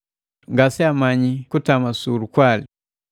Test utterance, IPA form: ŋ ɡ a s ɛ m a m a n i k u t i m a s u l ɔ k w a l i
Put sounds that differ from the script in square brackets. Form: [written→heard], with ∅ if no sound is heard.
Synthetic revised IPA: ŋ ɡ a s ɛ [m→∅] a m a [n→ɲ] i k u t [i→a] m a s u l [ɔ→u] k w a l i